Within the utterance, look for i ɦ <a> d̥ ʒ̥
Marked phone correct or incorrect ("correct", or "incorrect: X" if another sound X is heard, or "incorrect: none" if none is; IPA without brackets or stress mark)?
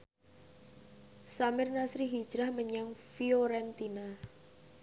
incorrect: i